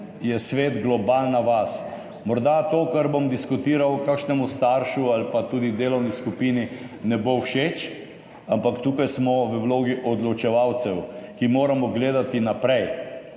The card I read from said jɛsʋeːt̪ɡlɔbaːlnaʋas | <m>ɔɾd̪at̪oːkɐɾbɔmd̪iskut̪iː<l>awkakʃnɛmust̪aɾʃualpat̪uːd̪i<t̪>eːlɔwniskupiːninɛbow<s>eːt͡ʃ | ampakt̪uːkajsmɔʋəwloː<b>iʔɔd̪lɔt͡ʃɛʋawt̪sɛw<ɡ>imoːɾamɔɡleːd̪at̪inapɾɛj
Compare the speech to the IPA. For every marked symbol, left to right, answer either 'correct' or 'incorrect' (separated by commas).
correct, incorrect, incorrect, incorrect, incorrect, incorrect